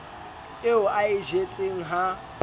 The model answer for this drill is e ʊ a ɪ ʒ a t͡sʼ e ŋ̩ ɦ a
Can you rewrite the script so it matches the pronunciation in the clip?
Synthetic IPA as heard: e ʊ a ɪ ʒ e t͡sʼ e ŋ̩ ɦ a